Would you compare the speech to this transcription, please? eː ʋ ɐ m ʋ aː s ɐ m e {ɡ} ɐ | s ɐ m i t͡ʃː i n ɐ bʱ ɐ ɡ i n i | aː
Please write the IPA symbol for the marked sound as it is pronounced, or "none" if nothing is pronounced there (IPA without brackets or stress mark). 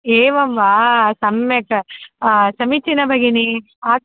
k